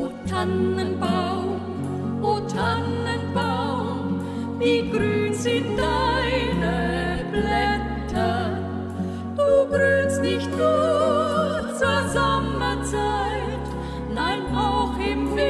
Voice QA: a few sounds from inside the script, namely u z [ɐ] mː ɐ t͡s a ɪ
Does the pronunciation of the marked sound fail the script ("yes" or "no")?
yes